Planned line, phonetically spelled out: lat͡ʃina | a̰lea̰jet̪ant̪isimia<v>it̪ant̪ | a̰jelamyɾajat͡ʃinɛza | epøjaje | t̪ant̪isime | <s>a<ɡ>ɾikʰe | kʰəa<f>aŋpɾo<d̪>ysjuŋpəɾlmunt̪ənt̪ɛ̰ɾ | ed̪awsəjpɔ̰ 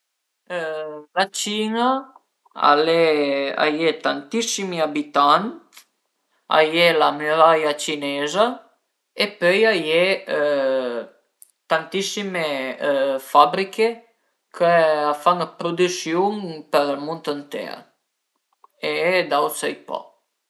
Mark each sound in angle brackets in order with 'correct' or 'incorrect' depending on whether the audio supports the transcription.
incorrect: b, incorrect: f, incorrect: b, correct, correct

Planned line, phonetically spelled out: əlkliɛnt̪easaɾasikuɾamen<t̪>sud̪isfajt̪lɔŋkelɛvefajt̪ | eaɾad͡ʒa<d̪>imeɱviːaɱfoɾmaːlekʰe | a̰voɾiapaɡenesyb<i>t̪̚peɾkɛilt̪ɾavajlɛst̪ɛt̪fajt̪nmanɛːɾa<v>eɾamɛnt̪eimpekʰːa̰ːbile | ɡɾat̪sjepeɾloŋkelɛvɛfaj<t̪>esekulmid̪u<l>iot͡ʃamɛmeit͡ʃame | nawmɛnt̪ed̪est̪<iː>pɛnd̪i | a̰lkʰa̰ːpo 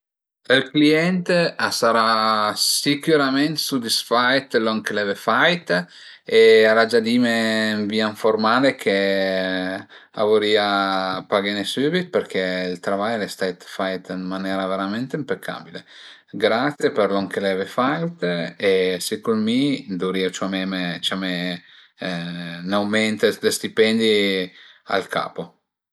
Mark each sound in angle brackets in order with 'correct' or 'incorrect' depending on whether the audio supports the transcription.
correct, correct, correct, correct, correct, incorrect: ɾ, incorrect: i

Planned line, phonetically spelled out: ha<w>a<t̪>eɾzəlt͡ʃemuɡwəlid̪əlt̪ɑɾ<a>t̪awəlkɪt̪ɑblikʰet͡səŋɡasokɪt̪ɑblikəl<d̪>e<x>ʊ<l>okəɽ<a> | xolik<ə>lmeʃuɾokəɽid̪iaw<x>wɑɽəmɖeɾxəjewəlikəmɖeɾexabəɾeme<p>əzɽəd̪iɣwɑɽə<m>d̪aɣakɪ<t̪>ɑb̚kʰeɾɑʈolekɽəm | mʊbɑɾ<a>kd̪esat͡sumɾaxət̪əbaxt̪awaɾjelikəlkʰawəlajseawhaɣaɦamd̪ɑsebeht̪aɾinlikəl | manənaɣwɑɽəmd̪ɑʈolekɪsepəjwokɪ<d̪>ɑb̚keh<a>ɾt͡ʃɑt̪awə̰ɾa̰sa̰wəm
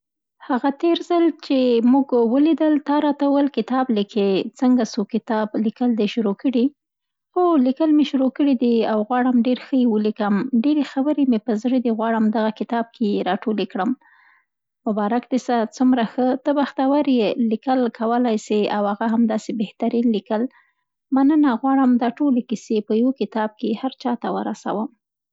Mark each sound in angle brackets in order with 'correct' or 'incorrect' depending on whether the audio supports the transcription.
incorrect: ɣ, correct, incorrect: ɑ, correct, incorrect: ʃ, incorrect: ɾ, incorrect: i, correct, incorrect: ɣ, correct, correct, correct, correct, incorrect: t̪, correct

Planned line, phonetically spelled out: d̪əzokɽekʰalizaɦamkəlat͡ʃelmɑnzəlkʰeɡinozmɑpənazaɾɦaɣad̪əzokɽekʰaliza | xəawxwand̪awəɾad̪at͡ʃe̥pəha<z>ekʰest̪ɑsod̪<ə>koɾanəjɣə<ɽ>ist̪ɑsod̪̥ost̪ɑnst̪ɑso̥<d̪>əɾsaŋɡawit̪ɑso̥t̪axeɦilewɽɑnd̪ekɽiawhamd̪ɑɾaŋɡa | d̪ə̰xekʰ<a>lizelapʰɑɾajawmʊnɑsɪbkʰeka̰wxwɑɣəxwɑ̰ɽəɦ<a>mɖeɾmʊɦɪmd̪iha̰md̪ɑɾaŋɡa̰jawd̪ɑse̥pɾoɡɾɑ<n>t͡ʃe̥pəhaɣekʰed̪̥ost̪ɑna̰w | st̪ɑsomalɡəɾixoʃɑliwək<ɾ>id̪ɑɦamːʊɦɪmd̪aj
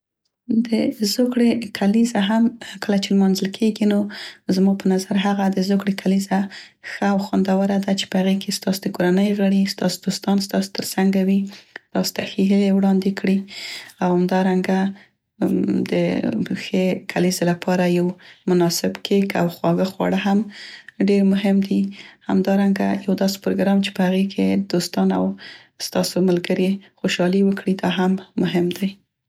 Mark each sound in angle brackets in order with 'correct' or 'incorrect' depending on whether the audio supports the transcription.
incorrect: ɣ, correct, correct, incorrect: t̪, correct, correct, incorrect: m, incorrect: ɽ

